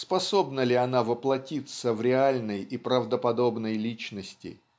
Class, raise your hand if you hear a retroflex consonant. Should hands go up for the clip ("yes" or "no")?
no